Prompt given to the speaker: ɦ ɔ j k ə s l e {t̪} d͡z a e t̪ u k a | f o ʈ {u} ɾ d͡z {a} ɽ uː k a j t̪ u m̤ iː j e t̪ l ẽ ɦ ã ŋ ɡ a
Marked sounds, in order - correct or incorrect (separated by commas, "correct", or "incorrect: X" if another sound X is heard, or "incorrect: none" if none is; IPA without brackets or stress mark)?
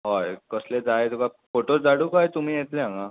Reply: incorrect: none, incorrect: o, correct